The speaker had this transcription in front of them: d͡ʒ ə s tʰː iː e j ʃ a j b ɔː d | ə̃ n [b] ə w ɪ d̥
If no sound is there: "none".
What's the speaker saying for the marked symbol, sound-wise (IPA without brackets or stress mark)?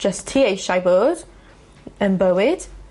b